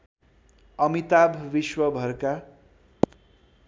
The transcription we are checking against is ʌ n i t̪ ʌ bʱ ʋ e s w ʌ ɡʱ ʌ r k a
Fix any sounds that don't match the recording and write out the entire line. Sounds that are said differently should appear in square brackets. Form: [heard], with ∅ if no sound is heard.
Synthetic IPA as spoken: ʌ [m] i t̪ [a] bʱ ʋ [i] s w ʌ [bʱ] ʌ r k a